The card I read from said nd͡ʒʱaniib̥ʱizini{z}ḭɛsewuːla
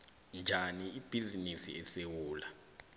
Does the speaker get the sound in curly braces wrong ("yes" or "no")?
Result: yes